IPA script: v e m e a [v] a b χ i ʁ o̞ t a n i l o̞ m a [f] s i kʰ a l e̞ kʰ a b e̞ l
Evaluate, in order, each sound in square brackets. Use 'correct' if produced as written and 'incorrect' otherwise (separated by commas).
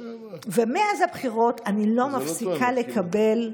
incorrect, correct